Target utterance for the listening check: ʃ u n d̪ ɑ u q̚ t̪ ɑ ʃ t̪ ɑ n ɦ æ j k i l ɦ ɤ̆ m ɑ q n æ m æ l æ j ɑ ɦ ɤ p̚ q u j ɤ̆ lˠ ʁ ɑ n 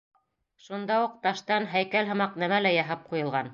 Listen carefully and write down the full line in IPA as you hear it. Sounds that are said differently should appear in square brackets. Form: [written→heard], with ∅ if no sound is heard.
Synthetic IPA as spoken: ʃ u n d̪ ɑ u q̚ t̪ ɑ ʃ t̪ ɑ n ɦ æ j k [i→æ] l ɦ ɤ̆ m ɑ q n æ m æ l æ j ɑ ɦ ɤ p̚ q u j ɤ̆ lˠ ʁ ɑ n